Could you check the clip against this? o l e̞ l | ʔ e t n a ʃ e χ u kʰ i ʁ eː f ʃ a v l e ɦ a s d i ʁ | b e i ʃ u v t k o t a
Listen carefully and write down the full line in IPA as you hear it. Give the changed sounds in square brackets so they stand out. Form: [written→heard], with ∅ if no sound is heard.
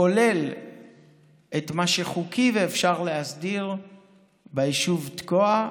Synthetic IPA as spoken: o l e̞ l | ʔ e t [n→m] a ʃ e χ u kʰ i [ʁ→v] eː f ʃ a [v→ʁ] l e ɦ a s d i ʁ | b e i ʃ u v t k o [t→∅] a